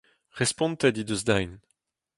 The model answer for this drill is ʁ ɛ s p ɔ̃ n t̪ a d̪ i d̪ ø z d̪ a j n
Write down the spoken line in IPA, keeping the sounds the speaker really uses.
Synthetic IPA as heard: ʁ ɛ s p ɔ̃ n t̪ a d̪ i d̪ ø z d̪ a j n